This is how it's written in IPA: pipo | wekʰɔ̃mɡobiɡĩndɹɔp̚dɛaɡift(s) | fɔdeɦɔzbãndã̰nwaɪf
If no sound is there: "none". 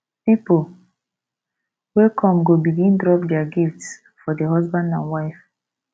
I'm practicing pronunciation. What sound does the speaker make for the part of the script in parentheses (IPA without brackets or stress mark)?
s